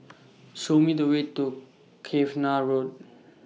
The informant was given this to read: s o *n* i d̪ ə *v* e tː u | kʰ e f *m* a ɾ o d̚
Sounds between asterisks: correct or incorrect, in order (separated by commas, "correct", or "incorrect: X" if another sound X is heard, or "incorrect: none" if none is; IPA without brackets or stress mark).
incorrect: m, incorrect: w, incorrect: n